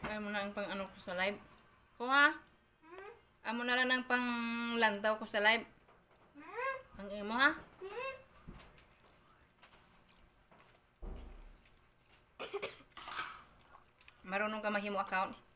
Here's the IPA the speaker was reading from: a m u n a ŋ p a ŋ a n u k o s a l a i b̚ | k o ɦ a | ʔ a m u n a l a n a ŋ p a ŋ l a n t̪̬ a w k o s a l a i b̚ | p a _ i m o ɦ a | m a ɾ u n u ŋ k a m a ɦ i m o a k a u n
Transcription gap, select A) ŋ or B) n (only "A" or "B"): A